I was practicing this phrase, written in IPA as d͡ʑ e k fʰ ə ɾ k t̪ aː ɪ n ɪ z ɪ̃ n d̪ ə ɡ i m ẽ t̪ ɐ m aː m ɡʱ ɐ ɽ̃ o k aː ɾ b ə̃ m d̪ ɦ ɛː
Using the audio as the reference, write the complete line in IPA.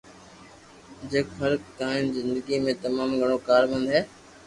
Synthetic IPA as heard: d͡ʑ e k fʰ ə ɾ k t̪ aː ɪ n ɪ z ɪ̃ n d̪ ə ɡ i m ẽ t̪ ɐ m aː m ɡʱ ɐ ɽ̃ o k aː ɾ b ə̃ n d̪ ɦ ɛː